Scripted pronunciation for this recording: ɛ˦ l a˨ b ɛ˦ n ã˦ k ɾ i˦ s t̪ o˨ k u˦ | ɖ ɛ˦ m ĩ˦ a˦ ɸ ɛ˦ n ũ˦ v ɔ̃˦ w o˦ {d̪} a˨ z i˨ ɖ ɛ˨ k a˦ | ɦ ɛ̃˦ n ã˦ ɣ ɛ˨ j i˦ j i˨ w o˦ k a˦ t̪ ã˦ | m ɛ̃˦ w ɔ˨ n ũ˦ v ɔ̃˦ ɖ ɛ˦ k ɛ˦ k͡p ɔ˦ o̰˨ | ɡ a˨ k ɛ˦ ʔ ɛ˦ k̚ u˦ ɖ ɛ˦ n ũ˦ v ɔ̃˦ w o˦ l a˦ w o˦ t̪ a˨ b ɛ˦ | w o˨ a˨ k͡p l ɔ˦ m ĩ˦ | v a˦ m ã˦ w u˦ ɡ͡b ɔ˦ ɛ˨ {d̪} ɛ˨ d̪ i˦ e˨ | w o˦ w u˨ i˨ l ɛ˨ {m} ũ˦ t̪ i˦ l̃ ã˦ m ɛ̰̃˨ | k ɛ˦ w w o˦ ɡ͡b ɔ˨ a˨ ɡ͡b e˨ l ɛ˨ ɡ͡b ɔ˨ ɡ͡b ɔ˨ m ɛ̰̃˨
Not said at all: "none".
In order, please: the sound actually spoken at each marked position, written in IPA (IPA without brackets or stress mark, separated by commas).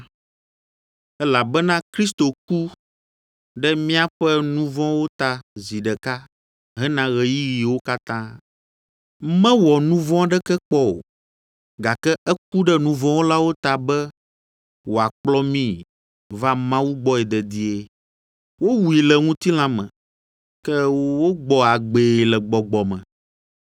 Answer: t̪, d̪, ŋ